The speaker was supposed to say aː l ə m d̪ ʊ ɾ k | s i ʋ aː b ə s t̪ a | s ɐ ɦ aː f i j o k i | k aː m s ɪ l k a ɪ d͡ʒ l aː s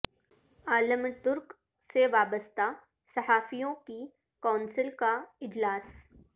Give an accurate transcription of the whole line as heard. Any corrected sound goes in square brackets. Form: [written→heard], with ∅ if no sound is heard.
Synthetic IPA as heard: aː l ə m [d̪→t̪] ʊ ɾ k | s [i→e] ʋ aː b ə s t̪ a | s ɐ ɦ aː f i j [o→õ] k i | k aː [m→n] s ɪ l k a ɪ d͡ʒ l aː s